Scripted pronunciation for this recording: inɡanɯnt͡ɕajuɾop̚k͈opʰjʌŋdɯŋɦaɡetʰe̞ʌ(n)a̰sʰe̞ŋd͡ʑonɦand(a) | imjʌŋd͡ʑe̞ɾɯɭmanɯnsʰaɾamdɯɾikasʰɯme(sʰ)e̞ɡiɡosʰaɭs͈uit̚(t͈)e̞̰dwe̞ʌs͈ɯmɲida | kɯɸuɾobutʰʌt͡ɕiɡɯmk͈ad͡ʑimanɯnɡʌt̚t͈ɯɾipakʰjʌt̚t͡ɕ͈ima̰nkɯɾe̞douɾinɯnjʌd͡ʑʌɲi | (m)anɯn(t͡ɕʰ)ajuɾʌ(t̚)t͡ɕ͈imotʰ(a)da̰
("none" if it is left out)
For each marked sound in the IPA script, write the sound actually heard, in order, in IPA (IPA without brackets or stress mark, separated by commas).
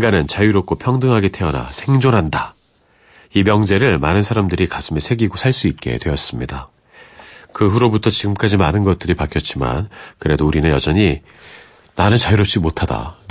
n, a, sʰ, k͈, n, t͡ɕ, p̚, a